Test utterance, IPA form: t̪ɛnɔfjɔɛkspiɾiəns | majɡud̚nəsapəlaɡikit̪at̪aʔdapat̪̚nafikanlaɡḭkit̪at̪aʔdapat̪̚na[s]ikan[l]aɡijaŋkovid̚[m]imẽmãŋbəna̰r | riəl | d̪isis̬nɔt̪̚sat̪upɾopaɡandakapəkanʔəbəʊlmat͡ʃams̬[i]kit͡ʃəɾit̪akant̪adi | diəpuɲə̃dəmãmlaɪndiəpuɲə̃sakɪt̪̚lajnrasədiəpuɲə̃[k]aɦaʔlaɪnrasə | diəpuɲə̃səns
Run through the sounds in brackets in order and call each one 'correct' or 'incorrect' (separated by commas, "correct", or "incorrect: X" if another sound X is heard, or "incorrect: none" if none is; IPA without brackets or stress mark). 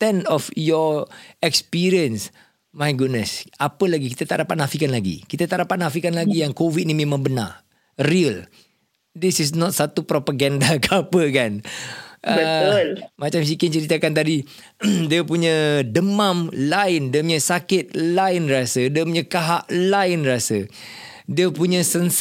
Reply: incorrect: f, correct, incorrect: n, correct, correct